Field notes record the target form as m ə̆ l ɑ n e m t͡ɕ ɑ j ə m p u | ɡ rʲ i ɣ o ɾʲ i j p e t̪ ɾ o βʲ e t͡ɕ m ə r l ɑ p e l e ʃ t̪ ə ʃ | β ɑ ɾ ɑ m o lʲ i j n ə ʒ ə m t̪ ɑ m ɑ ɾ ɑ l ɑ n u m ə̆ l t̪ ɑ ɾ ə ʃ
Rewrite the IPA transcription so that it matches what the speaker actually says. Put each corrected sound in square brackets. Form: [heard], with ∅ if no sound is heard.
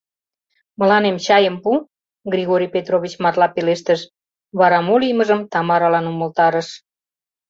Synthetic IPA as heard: m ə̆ l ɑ n e m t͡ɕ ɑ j ə m p u | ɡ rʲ i ɣ o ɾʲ i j p e t̪ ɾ o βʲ [i] t͡ɕ m [ɑ] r l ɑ p e l e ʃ t̪ ə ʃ | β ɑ ɾ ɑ m o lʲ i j [m] ə ʒ ə m t̪ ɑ m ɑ ɾ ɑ l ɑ n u m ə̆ l t̪ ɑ ɾ ə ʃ